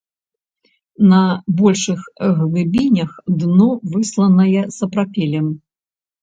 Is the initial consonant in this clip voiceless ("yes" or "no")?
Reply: no